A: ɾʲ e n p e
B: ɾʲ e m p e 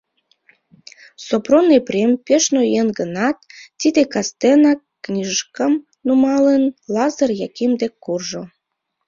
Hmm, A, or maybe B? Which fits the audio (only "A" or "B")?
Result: B